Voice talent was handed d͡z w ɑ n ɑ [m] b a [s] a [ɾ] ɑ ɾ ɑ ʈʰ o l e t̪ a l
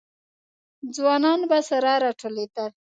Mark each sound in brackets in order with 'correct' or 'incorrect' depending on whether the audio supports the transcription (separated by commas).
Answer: incorrect, correct, correct